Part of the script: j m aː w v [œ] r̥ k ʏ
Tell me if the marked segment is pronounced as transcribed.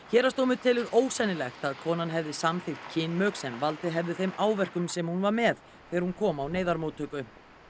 no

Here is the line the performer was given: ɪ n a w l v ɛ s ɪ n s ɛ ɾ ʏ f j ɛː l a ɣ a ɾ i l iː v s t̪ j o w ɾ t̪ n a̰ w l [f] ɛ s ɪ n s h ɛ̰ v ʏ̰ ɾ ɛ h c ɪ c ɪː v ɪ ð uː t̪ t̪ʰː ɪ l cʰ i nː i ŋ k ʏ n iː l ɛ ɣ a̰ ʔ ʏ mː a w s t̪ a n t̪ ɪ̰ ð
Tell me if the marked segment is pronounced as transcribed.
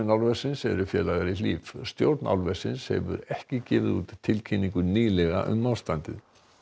no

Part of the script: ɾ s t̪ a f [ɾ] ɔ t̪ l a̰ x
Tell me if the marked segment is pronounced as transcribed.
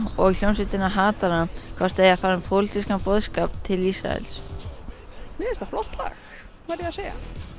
no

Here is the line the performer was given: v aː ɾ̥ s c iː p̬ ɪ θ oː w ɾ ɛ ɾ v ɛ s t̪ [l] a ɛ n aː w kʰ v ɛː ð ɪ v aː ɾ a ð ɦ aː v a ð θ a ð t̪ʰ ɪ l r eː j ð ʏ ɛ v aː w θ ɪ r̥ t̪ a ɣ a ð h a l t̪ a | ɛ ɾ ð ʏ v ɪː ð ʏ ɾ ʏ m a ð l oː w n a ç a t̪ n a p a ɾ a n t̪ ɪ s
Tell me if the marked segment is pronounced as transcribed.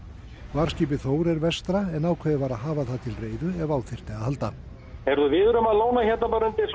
no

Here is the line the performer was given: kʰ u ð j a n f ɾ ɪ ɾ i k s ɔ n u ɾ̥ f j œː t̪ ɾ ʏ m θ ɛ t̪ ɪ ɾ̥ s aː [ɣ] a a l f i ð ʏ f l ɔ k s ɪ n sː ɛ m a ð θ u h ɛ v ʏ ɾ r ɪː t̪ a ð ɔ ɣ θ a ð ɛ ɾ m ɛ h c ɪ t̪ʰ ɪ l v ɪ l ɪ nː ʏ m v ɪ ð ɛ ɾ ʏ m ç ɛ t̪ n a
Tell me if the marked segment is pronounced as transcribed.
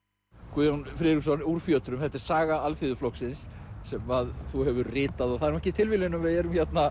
yes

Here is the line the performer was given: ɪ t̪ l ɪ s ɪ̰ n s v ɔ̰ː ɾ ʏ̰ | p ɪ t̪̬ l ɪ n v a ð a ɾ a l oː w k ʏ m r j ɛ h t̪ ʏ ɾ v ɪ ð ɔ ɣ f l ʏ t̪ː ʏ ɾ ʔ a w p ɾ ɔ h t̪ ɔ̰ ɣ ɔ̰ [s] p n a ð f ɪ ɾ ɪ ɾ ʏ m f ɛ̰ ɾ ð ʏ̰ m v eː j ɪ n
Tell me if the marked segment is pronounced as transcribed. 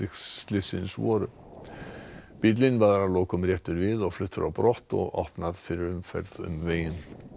no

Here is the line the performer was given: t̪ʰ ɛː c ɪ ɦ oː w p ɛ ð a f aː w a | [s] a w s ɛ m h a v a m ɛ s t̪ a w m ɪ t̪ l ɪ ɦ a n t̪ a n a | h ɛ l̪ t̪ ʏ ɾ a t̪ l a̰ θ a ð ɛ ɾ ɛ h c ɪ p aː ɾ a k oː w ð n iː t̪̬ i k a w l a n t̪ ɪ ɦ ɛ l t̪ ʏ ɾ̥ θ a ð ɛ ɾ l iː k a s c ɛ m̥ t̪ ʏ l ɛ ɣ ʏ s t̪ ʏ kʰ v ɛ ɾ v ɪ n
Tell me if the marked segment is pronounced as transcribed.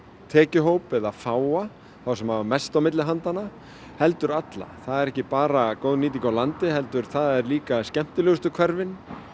no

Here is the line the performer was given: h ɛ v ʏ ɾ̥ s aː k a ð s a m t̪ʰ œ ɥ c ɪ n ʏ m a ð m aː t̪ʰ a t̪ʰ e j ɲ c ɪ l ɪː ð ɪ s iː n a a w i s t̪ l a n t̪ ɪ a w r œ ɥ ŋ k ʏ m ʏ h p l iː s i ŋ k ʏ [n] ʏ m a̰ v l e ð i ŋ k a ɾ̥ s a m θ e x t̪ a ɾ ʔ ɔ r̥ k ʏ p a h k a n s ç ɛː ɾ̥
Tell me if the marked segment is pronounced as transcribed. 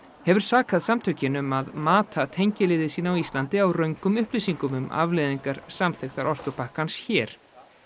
no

